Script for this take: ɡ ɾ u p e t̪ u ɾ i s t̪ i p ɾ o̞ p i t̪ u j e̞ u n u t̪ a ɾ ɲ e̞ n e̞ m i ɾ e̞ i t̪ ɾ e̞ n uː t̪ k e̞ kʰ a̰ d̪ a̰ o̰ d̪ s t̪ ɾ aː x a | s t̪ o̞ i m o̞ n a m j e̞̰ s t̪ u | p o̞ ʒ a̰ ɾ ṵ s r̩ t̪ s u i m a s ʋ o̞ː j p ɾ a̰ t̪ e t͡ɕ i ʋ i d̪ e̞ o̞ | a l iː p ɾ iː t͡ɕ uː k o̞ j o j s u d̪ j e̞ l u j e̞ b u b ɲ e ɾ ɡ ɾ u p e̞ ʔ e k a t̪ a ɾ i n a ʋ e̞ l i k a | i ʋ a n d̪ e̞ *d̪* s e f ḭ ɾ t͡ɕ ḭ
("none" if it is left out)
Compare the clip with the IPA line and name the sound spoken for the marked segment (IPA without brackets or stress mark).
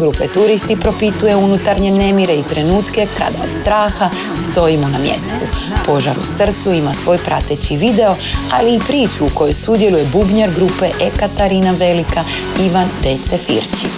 t̪